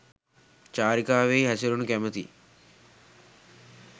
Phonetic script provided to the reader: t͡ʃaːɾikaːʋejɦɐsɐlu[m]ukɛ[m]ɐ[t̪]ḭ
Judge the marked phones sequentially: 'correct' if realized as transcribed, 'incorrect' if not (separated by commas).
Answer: incorrect, correct, correct